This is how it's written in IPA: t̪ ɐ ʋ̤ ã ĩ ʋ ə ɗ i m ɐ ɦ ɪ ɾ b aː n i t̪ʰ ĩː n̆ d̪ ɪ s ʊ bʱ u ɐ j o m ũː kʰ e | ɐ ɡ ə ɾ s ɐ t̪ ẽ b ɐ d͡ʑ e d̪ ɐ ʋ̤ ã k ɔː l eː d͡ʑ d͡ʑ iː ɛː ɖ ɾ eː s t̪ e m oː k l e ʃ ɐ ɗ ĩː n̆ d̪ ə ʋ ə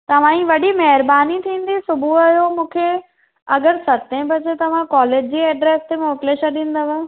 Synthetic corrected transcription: t̪ ɐ ʋ̤ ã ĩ ʋ ɐ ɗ i m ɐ ɦ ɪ ɾ b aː n i t̪ʰ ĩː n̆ d̪ i s ʊ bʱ u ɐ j o m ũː kʰ e | ɐ ɡ ə ɾ s ɐ t̪ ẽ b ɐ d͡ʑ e t̪ ɐ ʋ̤ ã k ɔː l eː d͡ʑ d͡ʑ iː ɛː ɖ ɾ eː s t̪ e m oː k l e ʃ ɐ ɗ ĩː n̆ d̪ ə ʋ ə